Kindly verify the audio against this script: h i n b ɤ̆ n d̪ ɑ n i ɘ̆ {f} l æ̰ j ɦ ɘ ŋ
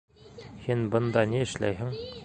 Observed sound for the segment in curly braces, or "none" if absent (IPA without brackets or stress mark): ʃ